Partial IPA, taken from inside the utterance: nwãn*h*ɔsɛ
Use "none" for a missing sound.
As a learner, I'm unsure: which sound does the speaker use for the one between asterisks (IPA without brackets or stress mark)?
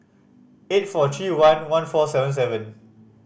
f